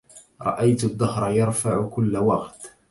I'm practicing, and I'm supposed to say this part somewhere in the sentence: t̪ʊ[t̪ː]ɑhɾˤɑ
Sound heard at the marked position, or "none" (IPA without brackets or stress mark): d̪ː